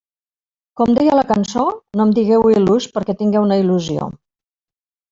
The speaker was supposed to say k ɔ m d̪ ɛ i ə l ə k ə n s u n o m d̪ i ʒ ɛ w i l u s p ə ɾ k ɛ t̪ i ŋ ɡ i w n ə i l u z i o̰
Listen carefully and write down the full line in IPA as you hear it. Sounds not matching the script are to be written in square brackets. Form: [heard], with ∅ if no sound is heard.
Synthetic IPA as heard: k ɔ m d̪ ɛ [j] ə l ə k ə n s [o] n o m d̪ i [ɣ] ɛ w i l u s p ə ɾ k ɛ t̪ i ŋ ɡ [ɛ] w n ə i l u z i o̰